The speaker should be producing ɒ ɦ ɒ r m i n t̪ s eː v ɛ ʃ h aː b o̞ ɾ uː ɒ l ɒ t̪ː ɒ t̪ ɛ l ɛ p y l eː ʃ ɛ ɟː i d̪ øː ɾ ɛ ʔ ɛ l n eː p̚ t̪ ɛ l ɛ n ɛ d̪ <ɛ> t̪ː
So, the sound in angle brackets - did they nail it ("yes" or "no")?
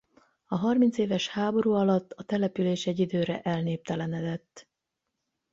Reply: yes